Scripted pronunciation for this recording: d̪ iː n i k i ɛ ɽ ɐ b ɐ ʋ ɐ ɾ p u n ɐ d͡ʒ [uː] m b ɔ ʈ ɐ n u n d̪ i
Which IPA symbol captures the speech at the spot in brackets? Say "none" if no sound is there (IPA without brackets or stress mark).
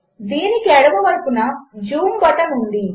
uː